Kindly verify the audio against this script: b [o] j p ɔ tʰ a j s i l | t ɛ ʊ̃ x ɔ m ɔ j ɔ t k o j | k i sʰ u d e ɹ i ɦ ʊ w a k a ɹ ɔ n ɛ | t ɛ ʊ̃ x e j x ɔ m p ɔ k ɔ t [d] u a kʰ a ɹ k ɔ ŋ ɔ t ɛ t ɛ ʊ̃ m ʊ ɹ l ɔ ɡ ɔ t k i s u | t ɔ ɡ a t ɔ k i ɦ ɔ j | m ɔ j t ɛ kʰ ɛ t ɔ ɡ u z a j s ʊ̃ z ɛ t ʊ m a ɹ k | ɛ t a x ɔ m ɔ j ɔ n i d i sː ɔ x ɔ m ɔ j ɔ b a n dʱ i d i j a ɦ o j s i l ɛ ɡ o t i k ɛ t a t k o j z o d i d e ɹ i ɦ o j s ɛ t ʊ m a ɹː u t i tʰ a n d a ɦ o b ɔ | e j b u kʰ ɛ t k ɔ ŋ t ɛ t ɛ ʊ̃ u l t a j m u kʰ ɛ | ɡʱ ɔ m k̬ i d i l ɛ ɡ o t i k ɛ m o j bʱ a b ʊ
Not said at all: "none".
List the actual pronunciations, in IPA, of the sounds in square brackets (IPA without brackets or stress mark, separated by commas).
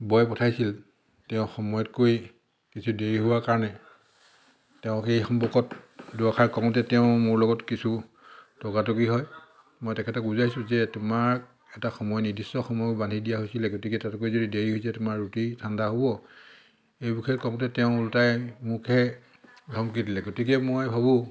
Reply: ɔ, d